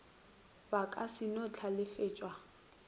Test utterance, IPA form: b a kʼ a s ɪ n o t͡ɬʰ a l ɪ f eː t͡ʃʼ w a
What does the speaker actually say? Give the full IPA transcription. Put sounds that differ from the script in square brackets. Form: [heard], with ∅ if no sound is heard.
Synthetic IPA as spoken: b a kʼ a s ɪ n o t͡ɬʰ a l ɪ f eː t͡ʃʼ w a